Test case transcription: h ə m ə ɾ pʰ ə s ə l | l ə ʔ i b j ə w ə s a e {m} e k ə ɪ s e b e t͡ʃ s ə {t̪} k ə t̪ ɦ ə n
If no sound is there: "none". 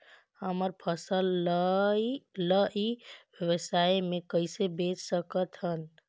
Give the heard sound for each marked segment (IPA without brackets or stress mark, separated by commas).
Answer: m, none